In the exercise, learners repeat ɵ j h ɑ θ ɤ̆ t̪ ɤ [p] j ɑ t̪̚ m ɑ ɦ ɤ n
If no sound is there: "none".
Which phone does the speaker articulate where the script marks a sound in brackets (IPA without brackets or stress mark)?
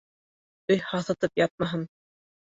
p